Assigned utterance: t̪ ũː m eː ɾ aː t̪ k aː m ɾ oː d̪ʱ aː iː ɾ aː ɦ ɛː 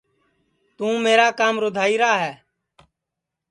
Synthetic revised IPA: t̪ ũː m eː ɾ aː k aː m ɾ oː d̪ʱ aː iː ɾ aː ɦ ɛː